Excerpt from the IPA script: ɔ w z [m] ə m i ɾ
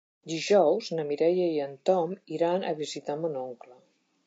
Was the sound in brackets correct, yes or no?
no